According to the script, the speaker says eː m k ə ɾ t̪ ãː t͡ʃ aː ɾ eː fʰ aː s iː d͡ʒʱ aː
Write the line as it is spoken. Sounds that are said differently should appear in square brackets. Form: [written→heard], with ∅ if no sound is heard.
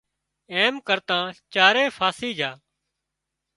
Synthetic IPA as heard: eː m k ə ɾ t̪ ãː t͡ʃ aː ɾ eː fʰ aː s iː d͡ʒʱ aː